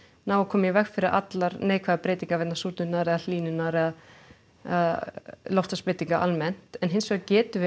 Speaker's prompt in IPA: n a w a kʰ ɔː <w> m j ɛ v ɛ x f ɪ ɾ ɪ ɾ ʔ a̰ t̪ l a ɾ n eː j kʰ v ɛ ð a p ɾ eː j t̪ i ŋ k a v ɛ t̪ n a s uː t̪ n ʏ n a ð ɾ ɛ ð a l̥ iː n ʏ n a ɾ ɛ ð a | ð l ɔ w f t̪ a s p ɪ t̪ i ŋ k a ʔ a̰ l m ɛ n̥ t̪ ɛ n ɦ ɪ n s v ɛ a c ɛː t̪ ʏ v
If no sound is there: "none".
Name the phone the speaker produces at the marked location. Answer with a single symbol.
none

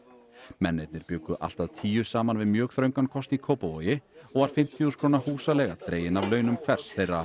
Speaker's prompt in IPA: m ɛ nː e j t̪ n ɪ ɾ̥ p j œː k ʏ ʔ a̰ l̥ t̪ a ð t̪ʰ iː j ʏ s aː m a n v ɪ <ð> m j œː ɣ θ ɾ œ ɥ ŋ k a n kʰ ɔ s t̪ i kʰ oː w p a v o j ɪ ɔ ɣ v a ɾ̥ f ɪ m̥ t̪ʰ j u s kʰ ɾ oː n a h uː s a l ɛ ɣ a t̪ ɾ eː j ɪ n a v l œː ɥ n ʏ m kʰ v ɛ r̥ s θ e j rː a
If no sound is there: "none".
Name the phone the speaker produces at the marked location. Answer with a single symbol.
ð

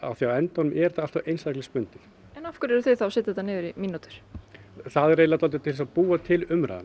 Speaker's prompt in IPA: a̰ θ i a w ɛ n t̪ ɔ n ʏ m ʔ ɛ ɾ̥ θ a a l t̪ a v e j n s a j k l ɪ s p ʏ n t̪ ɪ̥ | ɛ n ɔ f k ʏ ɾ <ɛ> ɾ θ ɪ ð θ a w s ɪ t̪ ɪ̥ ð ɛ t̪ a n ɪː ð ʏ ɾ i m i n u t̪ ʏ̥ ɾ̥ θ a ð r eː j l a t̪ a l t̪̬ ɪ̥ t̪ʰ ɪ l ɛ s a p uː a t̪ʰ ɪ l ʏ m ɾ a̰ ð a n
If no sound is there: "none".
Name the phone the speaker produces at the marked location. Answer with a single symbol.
ɛ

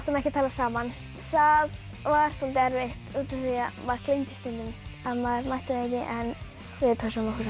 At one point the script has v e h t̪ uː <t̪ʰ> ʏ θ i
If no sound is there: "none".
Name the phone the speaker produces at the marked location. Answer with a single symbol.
t̪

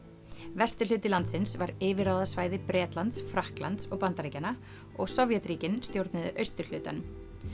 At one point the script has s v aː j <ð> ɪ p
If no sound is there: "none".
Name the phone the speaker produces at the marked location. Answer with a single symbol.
ð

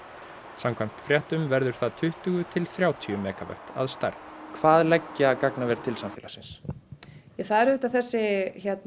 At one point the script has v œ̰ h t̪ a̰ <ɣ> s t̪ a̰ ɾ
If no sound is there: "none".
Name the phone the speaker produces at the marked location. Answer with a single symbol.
ð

